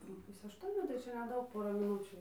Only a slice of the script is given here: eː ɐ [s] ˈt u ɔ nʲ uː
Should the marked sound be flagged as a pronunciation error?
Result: yes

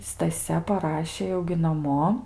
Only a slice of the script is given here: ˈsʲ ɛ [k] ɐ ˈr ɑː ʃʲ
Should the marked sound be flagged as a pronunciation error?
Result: yes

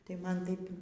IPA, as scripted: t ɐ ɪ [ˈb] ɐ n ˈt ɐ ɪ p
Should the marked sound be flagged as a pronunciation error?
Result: yes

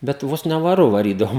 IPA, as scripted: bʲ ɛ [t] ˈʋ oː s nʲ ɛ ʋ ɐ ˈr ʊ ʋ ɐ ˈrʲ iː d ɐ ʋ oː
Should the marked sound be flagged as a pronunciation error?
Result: no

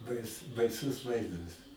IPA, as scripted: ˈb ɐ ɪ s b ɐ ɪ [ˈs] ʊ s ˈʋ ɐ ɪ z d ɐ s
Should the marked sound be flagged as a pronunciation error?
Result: no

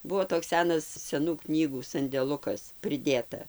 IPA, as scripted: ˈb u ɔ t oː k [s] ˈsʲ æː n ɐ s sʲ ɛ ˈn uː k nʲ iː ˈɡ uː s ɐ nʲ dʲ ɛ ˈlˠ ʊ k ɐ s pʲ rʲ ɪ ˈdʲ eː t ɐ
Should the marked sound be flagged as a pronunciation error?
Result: no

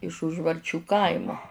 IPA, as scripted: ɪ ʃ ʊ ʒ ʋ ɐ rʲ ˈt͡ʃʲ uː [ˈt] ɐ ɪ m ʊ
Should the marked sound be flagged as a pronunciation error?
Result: yes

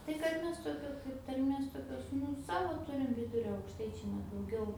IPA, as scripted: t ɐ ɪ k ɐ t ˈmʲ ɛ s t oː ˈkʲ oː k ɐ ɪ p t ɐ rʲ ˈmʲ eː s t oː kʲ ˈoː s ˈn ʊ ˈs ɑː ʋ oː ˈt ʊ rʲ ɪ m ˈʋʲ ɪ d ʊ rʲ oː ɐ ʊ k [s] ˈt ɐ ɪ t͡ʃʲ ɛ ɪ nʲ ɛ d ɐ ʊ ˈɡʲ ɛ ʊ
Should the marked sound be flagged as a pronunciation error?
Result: yes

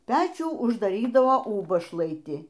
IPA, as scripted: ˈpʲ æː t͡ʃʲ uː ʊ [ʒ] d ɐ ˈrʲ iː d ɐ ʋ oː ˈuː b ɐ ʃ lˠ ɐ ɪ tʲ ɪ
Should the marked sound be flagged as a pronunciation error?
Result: no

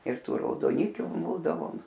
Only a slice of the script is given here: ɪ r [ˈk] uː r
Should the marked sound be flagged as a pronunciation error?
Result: yes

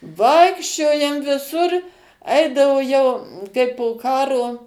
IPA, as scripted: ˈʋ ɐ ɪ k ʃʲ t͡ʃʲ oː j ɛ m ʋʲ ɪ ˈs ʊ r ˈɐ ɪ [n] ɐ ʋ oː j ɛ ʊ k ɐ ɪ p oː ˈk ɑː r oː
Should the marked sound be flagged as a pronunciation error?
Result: yes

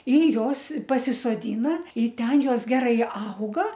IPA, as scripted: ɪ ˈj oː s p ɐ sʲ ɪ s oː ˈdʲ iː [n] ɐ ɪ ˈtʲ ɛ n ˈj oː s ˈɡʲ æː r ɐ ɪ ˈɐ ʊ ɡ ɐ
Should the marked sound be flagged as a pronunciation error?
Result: no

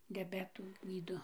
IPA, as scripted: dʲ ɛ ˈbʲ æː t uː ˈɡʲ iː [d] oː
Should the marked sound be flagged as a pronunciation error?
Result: no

